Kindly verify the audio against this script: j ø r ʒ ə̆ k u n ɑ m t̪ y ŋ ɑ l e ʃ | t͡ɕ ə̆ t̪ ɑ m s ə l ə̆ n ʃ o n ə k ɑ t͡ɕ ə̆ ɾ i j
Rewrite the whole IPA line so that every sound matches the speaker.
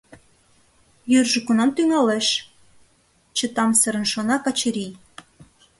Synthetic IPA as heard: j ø r ʒ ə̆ k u n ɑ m t̪ y ŋ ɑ l e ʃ | t͡ɕ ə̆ t̪ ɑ m s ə ɾ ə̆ n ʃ o n ɑ k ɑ t͡ɕ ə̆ ɾ i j

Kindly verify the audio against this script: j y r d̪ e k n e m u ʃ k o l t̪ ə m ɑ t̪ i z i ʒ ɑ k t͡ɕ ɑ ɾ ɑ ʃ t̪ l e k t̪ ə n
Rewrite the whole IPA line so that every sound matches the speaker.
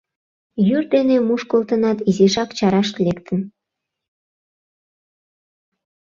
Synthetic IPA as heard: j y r d̪ e n e m u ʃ k o l t̪ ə n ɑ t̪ i z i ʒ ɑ k t͡ɕ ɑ ɾ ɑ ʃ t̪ l e k t̪ ə n

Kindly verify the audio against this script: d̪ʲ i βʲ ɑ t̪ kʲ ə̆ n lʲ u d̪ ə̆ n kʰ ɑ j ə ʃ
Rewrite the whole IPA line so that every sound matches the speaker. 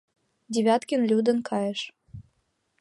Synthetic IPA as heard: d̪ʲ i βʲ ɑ t̪ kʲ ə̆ n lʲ u d̪ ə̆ n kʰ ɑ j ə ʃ

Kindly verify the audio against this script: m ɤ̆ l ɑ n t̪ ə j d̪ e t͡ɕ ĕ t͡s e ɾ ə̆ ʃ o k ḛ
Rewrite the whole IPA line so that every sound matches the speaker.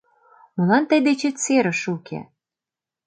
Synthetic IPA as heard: m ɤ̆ l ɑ n t̪ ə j d̪ e t͡ɕ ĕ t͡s e ɾ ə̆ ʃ u k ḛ

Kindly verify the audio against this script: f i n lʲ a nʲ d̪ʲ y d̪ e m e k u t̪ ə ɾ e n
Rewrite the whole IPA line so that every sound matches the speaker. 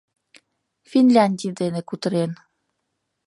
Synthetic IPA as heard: f i n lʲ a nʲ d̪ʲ i d̪ e n e k u t̪ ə ɾ e n

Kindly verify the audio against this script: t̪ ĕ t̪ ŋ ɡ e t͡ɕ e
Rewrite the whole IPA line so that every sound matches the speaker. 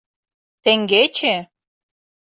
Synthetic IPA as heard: t̪ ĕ ŋ ɡ e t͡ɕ e

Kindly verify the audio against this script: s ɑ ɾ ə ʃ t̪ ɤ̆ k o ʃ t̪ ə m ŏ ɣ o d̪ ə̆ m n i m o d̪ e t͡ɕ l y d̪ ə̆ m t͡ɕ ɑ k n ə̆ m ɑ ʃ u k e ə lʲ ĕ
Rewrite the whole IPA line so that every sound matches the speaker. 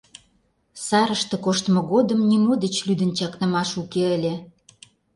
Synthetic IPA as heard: s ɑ ɾ ə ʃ t̪ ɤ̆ k o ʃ t̪ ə m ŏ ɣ o d̪ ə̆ m n i m o d̪ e t͡ɕ l y d̪ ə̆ n t͡ɕ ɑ k n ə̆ m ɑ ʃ u k e ə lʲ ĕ

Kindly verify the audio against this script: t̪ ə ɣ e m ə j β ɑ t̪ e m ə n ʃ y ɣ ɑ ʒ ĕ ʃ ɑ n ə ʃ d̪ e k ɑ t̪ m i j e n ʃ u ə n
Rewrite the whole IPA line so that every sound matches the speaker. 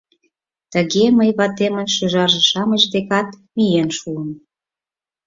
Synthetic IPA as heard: t̪ ə ɣ e m ə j β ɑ t̪ e m ə n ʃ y ʒ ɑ ʒ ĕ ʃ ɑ m ə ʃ d̪ e k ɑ t̪ m i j e n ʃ u ə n

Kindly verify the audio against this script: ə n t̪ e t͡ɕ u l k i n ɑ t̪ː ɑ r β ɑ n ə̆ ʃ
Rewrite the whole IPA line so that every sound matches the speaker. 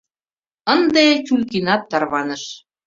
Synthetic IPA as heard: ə n d̪ e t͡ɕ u l k i n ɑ t̪ː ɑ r β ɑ n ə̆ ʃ

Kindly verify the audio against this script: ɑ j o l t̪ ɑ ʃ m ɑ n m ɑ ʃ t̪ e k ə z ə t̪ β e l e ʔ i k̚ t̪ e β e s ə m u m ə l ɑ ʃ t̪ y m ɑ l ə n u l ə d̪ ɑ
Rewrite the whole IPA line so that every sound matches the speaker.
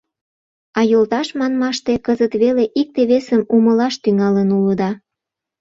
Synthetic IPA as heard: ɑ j o l t̪ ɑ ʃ m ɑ n m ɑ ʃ t̪ e k ə z ə t̪ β e l e ʔ i k̚ t̪ e β e s ə m u m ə l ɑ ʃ t̪ y ŋ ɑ l ə n u l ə d̪ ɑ

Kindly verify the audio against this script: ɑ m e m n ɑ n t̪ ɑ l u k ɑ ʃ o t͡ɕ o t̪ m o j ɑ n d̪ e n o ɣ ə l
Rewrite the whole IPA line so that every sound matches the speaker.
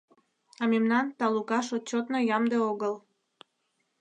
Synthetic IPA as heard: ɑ m e m n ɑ n t̪ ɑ l u k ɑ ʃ o t͡ɕ o t̪ n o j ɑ m d̪ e o ɣ ə l

